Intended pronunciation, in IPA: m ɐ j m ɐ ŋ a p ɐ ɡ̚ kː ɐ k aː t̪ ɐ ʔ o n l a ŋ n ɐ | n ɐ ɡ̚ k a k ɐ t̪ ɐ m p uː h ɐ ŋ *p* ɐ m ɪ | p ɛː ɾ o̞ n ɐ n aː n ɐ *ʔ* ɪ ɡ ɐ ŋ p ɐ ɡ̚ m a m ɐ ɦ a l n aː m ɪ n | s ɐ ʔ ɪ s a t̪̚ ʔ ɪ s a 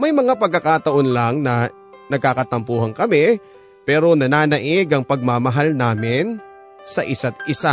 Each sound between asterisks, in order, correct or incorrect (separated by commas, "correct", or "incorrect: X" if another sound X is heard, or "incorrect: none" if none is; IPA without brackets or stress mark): incorrect: k, correct